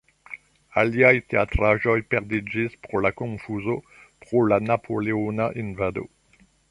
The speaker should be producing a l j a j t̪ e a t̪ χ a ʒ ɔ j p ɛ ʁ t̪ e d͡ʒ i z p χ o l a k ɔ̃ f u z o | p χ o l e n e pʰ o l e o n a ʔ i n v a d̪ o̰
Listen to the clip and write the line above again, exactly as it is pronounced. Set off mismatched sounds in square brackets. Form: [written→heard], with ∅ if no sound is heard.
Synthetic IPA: a l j a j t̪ e a t̪ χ a ʒ ɔ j p ɛ ʁ [t̪→d̪] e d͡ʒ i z p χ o l a k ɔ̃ f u z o | p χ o l [e→a] n [e→a] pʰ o l e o n a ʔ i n v a d̪ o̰